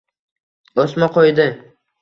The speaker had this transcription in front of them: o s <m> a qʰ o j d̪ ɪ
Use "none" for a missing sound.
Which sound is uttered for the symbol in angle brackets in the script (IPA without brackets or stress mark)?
m